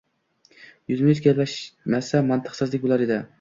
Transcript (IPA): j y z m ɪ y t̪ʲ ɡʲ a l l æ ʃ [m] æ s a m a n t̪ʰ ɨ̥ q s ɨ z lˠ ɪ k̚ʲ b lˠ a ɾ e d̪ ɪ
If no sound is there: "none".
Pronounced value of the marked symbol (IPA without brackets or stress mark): m